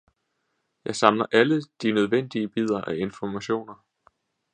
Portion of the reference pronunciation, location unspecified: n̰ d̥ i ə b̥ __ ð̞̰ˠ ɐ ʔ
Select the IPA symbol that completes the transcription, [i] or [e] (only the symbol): i